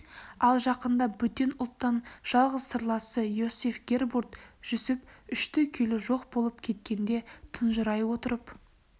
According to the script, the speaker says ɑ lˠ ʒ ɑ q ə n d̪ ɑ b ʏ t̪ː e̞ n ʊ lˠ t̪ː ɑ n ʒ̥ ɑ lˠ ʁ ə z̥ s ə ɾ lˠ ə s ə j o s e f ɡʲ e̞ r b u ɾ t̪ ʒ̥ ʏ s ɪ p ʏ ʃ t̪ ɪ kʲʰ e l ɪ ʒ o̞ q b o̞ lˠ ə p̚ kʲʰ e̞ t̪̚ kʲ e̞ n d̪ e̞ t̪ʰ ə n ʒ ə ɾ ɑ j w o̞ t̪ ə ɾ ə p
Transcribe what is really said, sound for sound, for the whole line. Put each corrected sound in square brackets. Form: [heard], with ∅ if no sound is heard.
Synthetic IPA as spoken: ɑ lˠ ʒ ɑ q ə n d̪ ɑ b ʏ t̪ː e̞ n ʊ lˠ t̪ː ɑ n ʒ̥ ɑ lˠ ʁ ə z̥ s ə ɾ lˠ [ɑ] s ə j o s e f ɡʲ e̞ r b u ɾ t̪ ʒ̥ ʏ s ɪ p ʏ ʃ t̪ ɪ kʲʰ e l ɪ ʒ o̞ q b o̞ lˠ ə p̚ kʲʰ e̞ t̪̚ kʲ e̞ n d̪ e̞ t̪ʰ ə n ʒ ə ɾ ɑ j w o̞ t̪ ə ɾ ə p